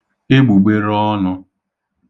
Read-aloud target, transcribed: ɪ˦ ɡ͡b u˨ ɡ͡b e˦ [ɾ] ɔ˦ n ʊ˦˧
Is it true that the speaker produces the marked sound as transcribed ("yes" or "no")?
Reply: yes